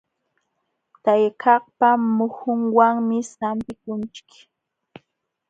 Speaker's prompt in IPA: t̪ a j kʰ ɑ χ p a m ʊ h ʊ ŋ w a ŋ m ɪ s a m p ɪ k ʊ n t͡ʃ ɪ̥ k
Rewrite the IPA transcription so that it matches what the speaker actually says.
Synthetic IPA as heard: t̪ a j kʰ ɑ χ p a m ʊ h ʊ ŋ w a ŋ m ɪ s a m p ɪ k ʊ n t͡ʃ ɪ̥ k